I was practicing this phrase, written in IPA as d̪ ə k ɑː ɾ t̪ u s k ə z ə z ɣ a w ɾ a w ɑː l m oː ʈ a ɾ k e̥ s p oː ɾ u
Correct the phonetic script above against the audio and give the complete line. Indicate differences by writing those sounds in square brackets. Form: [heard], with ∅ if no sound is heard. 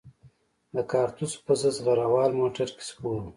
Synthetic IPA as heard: d̪ ə k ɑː ɾ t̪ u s [p] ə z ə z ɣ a [∅] ɾ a w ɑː l m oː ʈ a ɾ k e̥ s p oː ɾ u